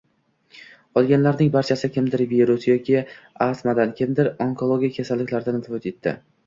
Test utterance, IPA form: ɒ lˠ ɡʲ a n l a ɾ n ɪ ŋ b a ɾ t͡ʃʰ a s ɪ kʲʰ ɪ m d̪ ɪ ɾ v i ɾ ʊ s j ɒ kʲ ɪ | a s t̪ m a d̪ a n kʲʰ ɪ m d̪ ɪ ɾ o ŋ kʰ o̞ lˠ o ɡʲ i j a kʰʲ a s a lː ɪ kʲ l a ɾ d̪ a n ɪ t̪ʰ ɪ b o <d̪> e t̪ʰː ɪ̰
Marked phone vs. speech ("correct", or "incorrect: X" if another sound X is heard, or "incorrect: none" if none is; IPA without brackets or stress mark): incorrect: t̪